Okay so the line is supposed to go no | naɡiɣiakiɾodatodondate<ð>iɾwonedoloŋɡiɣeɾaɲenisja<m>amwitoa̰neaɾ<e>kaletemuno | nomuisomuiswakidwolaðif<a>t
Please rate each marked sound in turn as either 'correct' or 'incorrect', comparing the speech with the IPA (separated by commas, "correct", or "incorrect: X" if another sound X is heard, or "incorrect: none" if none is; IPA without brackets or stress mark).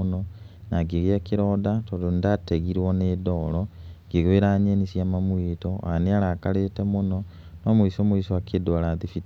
incorrect: ɣ, correct, incorrect: a, incorrect: i